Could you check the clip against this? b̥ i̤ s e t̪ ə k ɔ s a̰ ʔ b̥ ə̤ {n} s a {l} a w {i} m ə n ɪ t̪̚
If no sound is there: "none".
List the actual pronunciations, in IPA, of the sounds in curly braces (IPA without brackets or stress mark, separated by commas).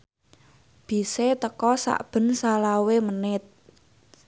n, l, e